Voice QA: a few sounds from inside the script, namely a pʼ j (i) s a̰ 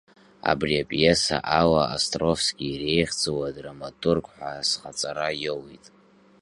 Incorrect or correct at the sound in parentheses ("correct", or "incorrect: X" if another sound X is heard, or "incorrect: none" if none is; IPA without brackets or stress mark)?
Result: incorrect: e